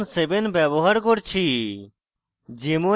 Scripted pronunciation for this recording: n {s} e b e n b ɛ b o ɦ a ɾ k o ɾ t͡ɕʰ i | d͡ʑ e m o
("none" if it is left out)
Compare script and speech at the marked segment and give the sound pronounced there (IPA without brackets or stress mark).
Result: s